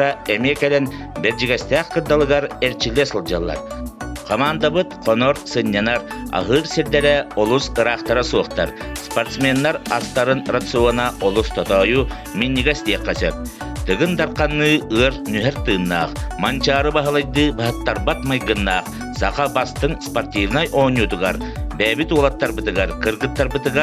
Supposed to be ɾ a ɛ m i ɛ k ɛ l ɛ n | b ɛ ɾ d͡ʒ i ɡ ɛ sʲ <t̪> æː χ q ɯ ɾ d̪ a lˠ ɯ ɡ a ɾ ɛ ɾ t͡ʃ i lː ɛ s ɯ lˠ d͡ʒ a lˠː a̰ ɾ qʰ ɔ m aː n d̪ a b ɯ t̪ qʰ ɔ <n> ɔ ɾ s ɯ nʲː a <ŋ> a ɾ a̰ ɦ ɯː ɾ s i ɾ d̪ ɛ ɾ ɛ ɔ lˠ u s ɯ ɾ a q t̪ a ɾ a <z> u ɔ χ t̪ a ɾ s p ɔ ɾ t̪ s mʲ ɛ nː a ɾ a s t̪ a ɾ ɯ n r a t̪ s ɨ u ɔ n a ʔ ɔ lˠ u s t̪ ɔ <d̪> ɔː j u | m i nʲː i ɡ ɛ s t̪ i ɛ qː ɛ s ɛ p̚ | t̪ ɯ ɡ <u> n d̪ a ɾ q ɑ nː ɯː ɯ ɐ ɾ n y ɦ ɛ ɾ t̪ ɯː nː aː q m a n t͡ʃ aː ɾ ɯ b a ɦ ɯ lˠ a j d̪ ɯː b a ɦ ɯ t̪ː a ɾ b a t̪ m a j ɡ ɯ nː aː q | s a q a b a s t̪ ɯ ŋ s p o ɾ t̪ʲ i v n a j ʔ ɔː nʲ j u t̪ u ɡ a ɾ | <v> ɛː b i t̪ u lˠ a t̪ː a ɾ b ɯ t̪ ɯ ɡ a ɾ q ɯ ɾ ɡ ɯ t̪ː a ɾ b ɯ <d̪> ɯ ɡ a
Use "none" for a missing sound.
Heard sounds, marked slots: t̪, n, n, s, t̪, ɯ, b, t̪

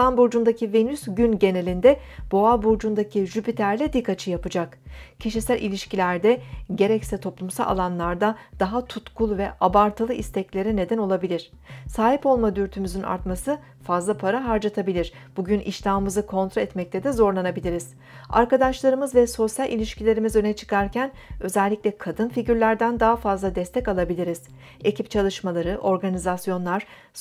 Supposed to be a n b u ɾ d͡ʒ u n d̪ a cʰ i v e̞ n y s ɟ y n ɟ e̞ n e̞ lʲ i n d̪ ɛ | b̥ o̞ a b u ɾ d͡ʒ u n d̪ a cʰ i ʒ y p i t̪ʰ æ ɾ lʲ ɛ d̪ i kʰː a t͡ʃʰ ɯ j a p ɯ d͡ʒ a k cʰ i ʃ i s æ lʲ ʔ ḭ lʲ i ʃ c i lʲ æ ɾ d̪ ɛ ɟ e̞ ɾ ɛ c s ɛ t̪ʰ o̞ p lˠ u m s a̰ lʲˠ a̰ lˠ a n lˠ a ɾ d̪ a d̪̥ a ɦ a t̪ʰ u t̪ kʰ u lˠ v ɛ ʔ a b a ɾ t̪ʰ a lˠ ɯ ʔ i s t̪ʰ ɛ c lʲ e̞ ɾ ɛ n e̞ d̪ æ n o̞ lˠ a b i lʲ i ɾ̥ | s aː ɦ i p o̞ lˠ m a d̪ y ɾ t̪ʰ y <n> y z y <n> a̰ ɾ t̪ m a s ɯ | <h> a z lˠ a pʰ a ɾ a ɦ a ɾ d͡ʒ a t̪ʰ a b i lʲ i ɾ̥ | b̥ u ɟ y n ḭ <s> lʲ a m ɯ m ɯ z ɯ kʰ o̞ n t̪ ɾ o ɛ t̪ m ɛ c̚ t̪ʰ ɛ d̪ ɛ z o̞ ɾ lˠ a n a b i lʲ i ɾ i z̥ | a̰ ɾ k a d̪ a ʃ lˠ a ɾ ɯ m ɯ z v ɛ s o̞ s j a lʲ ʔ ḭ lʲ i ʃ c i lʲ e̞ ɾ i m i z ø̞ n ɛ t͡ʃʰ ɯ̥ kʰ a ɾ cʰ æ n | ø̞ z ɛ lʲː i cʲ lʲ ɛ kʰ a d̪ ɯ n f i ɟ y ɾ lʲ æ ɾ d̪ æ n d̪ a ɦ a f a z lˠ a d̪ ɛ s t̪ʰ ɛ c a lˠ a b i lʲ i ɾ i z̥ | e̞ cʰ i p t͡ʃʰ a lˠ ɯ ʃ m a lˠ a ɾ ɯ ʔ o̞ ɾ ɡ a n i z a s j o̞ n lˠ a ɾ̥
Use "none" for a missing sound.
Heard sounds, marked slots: m, n, f, ʃ

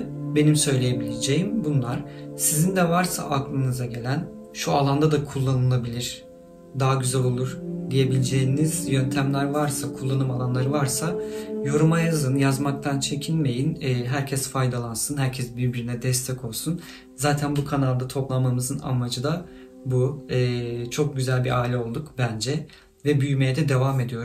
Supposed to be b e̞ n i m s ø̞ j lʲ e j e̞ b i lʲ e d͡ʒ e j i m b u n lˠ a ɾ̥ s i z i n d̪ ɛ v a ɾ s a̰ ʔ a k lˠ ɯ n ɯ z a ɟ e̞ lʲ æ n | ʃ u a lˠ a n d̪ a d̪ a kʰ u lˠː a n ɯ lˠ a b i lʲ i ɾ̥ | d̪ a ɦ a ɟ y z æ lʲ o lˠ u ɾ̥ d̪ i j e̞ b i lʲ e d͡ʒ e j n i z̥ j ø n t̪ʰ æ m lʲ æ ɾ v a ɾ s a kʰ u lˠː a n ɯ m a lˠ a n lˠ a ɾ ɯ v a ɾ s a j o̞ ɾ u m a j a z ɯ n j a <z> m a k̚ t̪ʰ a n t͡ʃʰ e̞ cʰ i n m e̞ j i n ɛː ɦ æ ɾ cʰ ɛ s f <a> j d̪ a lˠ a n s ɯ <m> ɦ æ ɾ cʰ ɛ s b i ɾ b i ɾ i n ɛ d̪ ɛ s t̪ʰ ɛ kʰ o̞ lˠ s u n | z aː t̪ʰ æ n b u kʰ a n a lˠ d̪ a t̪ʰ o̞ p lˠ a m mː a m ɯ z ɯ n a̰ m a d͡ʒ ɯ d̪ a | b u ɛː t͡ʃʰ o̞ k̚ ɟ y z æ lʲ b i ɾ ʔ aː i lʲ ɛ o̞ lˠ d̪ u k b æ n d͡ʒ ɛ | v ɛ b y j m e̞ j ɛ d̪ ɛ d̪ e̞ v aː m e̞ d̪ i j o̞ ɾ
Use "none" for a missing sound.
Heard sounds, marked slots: z, a, n

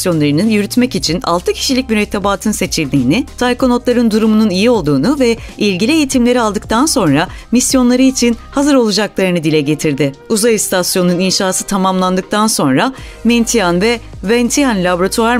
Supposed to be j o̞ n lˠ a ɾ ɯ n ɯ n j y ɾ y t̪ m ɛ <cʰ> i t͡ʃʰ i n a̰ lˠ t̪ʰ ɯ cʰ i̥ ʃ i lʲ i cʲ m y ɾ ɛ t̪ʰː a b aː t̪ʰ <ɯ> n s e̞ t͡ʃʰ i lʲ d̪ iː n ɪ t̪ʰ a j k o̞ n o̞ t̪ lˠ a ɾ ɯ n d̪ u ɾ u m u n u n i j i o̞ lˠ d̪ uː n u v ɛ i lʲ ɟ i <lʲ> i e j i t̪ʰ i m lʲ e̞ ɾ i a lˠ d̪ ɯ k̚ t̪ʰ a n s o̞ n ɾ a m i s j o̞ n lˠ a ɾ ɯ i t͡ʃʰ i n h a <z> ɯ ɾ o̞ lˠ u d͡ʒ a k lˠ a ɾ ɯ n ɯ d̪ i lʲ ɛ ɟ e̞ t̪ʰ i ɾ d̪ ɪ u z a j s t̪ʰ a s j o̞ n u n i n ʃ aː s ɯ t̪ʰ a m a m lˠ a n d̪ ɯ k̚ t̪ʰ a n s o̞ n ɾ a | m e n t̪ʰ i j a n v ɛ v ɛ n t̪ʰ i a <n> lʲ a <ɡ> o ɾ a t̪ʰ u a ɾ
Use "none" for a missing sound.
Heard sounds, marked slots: c, ɯ, lʲ, z, n, b

